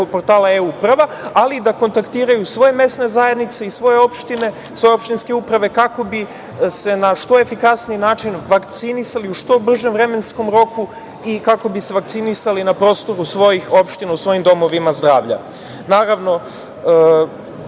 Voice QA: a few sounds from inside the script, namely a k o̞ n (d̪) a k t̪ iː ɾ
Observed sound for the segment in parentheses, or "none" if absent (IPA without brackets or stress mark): t̪